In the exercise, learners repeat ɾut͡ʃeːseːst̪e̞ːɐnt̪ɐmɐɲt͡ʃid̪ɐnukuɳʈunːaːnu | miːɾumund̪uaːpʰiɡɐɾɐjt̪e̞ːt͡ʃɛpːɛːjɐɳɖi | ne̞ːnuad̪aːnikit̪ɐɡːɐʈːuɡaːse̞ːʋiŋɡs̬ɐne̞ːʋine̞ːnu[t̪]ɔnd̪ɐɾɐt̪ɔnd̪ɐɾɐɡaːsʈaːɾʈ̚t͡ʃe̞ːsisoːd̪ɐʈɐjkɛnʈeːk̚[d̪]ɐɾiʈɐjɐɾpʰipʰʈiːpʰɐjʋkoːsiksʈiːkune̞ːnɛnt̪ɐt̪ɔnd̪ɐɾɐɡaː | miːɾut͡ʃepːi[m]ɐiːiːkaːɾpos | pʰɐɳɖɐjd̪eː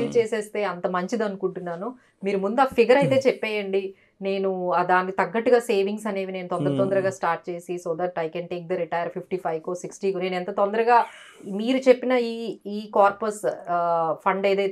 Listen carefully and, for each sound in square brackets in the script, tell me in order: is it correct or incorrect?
correct, correct, incorrect

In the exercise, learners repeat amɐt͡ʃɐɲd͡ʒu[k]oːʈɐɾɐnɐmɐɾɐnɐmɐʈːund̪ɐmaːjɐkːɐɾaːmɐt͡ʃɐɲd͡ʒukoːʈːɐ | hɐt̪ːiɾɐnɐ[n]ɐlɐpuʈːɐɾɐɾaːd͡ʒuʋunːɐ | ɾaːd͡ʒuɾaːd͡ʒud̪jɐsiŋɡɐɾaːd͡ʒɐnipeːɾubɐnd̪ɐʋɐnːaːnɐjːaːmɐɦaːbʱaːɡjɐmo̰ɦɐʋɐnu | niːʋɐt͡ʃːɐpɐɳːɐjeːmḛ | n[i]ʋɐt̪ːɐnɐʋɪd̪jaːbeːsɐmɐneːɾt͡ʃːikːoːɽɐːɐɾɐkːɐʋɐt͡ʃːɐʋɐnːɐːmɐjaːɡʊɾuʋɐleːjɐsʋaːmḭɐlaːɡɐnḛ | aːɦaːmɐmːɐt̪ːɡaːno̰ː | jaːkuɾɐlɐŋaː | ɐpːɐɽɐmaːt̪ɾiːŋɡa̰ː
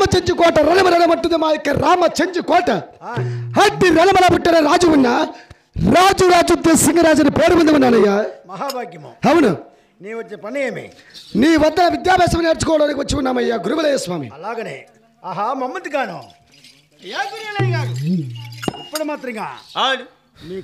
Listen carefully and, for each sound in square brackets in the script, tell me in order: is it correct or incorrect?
correct, incorrect, incorrect

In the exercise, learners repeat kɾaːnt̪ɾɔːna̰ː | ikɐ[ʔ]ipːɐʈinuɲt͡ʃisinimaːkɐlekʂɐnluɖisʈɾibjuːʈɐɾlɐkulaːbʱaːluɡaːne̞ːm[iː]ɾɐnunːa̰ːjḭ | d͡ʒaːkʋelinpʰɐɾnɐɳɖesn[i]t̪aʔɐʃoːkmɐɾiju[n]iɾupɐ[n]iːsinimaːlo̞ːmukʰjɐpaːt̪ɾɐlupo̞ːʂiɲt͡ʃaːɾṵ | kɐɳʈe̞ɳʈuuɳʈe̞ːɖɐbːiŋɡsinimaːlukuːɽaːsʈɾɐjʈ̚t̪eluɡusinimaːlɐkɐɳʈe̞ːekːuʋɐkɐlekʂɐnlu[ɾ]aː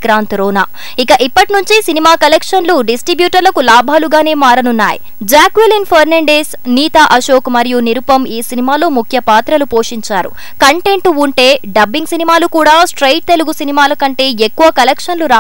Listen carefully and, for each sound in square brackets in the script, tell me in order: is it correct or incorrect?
correct, incorrect, incorrect, correct, incorrect, correct

